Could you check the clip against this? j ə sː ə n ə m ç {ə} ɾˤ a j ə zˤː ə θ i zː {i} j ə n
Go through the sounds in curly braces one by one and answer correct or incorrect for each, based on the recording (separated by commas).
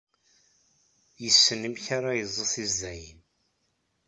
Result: incorrect, incorrect